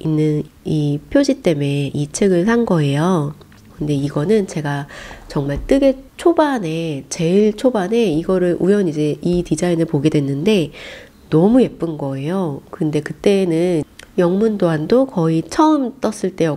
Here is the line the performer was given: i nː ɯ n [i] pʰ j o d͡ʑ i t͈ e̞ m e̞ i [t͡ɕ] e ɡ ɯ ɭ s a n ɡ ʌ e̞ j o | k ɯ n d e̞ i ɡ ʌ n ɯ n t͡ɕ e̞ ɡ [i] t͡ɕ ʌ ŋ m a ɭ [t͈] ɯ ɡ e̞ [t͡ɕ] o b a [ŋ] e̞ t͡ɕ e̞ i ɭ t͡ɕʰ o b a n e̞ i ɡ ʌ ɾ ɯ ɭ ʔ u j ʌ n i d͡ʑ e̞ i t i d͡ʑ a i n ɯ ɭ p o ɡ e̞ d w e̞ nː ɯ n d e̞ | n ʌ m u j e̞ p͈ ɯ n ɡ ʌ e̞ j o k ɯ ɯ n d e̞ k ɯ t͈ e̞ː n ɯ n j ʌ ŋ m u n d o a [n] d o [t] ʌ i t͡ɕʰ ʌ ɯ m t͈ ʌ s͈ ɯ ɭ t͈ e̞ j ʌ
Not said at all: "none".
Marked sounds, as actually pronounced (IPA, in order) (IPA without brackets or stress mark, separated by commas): i, t͡ɕʰ, a, t͈, t͡ɕʰ, n, n, k